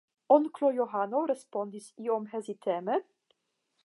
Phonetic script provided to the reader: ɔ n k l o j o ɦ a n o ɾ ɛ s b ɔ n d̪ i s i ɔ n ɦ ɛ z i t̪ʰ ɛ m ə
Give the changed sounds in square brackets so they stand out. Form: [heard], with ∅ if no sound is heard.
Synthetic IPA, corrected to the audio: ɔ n k l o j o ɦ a n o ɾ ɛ s [p] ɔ n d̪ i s i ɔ [m] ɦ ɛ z i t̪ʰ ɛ m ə